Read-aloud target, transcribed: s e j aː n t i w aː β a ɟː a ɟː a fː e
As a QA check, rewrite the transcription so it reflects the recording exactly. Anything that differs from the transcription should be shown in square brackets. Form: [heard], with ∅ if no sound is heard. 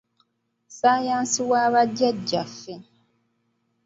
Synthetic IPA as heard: s [a] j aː n [s] i w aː β a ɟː a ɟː a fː e